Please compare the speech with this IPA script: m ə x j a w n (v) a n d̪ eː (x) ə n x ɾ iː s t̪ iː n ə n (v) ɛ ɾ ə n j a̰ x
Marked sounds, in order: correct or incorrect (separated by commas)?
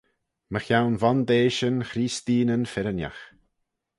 correct, incorrect, incorrect